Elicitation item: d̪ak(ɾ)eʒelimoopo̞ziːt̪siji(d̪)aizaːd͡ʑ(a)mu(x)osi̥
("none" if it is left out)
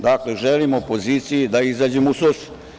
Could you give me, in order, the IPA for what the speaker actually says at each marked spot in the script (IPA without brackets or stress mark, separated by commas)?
l, d̪, e, s